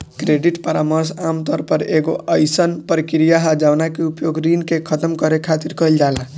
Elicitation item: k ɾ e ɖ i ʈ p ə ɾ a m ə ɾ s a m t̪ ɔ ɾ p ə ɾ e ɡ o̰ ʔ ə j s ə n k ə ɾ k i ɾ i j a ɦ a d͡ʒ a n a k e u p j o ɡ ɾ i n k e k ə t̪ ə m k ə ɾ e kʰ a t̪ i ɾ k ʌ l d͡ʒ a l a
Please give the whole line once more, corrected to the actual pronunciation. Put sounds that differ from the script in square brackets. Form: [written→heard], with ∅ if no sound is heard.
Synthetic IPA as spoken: k ɾ e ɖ i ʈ p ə ɾ a m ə ɾ s a m t̪ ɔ ɾ p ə ɾ e ɡ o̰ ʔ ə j s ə n [k→p] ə ɾ k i ɾ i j a ɦ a d͡ʒ a n a k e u p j o ɡ ɾ i n k e [k→kʰ] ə t̪ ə m k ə ɾ e kʰ a t̪ i ɾ k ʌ l d͡ʒ a l a